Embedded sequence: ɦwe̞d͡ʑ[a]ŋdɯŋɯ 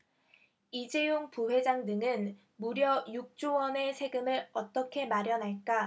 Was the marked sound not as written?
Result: no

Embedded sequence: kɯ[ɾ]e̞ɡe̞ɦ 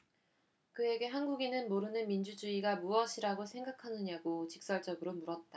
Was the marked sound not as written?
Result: yes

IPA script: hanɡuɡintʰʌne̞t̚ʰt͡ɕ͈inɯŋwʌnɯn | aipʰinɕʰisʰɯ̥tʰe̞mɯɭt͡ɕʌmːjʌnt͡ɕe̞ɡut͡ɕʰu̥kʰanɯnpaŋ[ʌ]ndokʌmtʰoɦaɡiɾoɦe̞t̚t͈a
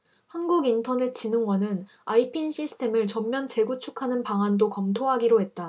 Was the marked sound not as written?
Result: yes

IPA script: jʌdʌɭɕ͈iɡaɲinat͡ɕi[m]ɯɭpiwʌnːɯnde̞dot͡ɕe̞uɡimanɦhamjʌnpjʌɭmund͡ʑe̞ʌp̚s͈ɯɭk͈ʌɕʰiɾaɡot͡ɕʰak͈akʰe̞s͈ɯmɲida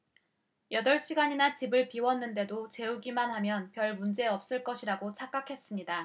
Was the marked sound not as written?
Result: yes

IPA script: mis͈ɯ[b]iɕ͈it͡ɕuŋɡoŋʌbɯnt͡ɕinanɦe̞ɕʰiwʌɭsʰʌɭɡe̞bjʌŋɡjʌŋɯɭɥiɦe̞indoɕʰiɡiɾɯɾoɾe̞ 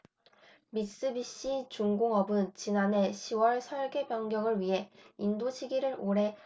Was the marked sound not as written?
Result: no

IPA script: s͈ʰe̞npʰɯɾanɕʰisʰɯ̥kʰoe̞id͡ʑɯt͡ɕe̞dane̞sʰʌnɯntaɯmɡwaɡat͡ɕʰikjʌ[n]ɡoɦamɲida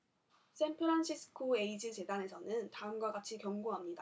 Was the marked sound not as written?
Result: yes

